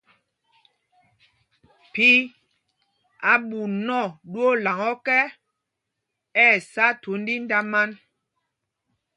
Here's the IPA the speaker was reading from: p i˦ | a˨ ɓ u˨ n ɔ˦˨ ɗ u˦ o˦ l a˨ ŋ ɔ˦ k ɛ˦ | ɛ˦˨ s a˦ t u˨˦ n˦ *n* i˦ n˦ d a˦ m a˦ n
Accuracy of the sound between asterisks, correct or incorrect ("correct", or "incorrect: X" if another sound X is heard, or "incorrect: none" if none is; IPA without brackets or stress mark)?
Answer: incorrect: d